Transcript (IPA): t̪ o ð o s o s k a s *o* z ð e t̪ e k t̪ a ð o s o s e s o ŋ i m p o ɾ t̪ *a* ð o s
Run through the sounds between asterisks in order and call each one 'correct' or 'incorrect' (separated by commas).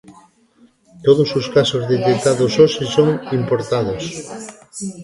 correct, correct